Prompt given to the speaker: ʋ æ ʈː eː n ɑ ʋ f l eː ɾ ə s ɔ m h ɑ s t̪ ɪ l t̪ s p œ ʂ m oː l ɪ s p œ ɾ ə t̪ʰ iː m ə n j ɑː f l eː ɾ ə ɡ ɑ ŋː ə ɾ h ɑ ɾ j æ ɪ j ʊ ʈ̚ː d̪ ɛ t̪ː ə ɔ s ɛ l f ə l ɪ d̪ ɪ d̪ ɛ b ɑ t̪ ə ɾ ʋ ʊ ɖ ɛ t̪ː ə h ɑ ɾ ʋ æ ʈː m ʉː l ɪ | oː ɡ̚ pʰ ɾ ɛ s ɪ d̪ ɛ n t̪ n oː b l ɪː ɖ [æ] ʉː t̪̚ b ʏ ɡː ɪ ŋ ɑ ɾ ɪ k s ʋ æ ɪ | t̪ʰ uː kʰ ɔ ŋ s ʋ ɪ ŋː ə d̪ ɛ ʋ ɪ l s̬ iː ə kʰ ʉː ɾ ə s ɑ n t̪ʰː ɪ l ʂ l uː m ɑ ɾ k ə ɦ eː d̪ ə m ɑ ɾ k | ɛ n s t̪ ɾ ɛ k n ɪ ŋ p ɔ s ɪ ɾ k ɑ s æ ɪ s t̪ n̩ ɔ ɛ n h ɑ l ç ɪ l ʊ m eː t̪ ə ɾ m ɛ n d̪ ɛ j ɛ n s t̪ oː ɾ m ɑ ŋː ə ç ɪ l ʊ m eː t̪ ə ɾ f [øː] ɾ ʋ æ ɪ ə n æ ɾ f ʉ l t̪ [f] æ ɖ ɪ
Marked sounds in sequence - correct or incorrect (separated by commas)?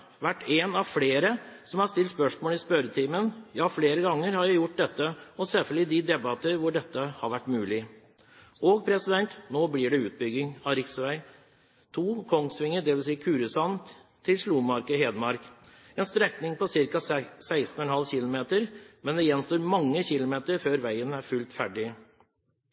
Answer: incorrect, correct, correct